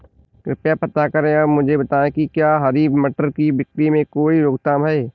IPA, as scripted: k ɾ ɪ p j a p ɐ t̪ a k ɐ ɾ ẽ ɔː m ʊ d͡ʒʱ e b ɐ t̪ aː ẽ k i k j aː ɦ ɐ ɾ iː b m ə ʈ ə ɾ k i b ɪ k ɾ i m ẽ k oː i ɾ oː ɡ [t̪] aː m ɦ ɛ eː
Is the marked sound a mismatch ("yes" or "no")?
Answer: no